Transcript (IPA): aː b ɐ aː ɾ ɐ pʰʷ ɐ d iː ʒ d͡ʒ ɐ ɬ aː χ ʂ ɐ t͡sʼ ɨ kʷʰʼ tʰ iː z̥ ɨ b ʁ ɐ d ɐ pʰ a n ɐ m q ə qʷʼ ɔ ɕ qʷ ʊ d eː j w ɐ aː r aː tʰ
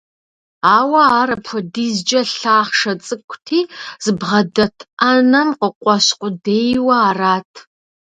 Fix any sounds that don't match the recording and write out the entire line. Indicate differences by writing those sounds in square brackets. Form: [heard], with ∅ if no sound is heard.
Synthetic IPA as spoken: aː [w] ɐ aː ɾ ɐ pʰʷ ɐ d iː [z] d͡ʒ ɐ ɬ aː χ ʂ ɐ t͡sʼ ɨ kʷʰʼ tʰ iː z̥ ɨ b ʁ ɐ d ɐ [tʰ] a n ɐ m q ə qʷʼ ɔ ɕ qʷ ʊ d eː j w ɐ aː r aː tʰ